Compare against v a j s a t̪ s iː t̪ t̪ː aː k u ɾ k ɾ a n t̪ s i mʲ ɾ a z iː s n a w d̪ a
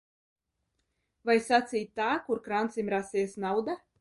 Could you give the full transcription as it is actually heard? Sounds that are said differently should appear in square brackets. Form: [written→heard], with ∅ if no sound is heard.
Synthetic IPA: v a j s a t̪ s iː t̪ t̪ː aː k u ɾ k ɾ a n t̪ s i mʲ ɾ a [z→s] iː s n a w d̪ a